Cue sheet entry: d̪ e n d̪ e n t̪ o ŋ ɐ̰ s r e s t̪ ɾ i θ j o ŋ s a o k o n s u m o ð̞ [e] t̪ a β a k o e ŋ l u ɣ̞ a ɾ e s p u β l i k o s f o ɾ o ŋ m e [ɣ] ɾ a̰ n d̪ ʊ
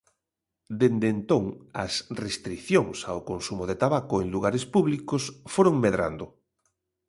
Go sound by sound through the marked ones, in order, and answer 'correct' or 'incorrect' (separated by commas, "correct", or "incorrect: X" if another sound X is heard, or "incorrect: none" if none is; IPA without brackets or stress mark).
correct, incorrect: ð